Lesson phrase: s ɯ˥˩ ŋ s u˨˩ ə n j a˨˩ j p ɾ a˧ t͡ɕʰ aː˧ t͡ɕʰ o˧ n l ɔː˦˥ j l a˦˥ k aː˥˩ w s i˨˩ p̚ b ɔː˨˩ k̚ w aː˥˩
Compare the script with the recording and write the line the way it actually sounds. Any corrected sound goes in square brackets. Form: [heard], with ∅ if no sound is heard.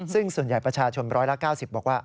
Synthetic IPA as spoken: s ɯ˥˩ ŋ s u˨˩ ə n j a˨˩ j p ɾ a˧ t͡ɕʰ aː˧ t͡ɕʰ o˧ n [ɾ] ɔː˦˥ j l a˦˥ k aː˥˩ w s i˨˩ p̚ b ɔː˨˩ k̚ w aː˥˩